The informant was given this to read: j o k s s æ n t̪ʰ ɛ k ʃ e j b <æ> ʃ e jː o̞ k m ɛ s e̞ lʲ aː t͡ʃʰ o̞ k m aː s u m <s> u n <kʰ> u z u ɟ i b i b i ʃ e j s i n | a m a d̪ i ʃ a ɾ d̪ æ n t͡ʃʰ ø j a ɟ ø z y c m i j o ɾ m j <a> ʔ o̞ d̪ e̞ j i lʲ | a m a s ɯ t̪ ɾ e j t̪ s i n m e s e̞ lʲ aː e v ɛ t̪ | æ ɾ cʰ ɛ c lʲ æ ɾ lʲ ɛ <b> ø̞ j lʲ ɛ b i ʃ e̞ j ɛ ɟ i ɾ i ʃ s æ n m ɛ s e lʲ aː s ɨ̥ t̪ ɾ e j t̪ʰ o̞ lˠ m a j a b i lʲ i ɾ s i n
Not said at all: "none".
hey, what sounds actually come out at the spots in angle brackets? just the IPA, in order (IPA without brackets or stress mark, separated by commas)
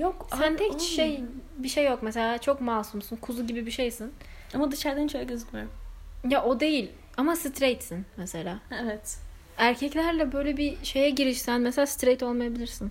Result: i, s, kʰ, a, b